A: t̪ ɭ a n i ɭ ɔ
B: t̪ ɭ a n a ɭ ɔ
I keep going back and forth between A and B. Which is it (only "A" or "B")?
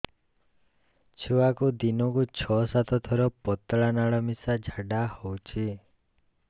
B